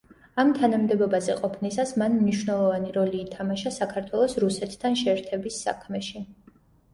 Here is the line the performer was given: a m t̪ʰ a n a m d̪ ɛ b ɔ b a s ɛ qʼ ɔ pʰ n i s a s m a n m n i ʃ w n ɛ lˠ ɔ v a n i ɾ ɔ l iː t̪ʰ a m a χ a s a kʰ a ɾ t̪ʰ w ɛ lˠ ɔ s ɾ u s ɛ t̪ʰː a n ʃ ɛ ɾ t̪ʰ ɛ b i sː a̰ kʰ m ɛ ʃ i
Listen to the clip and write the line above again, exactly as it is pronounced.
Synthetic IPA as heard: a m t̪ʰ a n a m d̪ ɛ b ɔ b a z ɛ qʼ ɔ pʰ n i s a s m a n m n i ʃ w n ɛ lˠ ɔ v a n i ɾ ɔ l iː t̪ʰ a m a ʃ a s a kʰ a ɾ t̪ʰ w ɛ lˠ ɔ s ɾ u s ɛ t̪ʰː a n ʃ ɛ ɾ t̪ʰ ɛ b i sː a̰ kʰ m ɛ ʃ i